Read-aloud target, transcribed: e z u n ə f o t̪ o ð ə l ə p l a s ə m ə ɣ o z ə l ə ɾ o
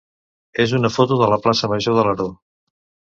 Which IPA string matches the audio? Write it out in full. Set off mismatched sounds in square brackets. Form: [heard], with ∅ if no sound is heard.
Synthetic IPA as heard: e z u n ə f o t̪ [u] ð ə l ə p l a s ə m ə [ʒ] o [ð] ə l ə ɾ o